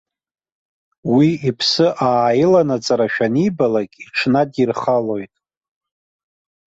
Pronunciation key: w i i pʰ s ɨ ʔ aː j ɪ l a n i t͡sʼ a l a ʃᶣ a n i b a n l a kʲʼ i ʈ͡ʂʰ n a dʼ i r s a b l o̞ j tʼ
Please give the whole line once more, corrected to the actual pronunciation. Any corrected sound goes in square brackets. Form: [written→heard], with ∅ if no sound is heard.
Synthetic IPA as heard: w i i pʰ s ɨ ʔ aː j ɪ l a n [i→a] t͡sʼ a [l→ɾ] a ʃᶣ a n i b a [n→∅] l a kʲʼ i ʈ͡ʂʰ n a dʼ i r [s→χ] a [b→∅] l o̞ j tʼ